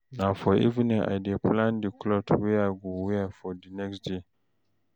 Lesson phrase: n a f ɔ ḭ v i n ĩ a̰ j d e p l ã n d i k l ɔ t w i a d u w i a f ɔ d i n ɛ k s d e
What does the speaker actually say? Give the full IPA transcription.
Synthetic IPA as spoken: n a f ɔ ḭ v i n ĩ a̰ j d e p l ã n d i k l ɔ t w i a ɡ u w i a f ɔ d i n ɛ k s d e